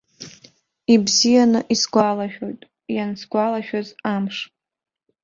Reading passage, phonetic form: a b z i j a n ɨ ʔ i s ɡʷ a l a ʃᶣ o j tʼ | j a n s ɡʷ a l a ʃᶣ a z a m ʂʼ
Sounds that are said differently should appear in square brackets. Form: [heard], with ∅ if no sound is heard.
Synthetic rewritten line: [i] b z i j a n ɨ ʔ i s ɡʷ a l a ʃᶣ o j tʼ | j a n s ɡʷ a l a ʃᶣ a z a m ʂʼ